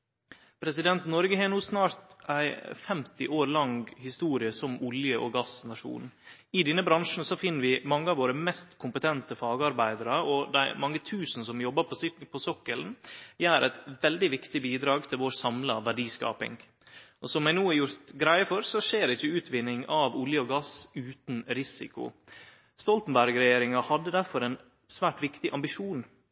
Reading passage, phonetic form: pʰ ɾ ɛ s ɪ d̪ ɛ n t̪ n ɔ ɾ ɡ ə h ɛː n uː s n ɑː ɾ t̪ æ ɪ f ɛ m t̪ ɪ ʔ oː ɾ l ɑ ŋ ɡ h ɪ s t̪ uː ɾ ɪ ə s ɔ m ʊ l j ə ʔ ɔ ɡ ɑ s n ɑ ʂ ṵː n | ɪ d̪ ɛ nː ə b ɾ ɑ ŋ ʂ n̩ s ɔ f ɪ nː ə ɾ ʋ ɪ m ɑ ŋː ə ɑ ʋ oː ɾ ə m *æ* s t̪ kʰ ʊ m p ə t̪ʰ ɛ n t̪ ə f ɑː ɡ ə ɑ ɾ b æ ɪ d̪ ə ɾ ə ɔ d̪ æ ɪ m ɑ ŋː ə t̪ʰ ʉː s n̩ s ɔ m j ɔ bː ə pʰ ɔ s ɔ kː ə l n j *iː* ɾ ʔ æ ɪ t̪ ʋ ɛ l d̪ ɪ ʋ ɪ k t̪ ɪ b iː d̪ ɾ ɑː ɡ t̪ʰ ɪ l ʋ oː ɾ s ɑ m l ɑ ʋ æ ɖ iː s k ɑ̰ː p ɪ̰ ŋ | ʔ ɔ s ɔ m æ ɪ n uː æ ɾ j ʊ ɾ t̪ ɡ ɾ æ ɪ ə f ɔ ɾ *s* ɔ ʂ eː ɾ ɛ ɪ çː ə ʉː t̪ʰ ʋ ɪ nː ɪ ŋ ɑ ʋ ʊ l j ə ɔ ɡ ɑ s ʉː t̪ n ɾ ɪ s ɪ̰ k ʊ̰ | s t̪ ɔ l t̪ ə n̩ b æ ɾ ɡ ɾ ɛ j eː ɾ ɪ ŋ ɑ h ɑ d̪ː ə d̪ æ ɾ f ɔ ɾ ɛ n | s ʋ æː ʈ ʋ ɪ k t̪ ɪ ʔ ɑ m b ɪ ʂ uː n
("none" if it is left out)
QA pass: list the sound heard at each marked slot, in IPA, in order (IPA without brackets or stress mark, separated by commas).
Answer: ɛ, æː, s